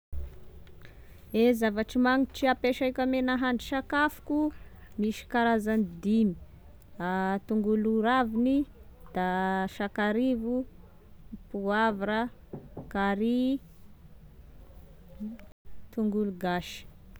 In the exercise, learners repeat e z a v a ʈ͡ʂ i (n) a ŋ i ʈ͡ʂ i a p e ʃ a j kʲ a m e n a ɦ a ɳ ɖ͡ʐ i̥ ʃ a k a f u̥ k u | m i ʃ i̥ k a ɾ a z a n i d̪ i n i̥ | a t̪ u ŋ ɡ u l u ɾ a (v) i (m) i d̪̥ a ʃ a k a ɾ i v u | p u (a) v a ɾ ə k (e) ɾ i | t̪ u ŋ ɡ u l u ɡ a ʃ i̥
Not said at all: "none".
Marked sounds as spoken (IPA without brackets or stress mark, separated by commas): m, v, n, a, a